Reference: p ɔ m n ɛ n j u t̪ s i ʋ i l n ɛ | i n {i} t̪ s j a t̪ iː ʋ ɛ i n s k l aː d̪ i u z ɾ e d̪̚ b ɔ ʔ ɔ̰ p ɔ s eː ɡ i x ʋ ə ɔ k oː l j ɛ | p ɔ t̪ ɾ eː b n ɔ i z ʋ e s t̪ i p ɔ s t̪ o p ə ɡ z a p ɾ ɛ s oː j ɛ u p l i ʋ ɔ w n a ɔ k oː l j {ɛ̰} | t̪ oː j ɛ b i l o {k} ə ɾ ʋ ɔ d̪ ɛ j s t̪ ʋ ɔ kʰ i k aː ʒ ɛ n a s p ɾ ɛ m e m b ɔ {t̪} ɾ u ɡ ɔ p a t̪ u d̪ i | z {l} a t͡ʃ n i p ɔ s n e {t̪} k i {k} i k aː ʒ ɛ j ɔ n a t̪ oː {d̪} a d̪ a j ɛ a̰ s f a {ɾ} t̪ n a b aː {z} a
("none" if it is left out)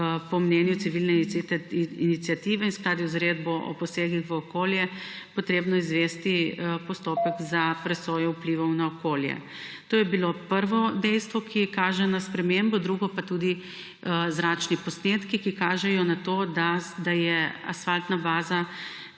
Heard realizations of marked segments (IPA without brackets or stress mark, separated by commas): i, ɛ̰, p, d̪, ɾ, t̪, k, d̪, l, z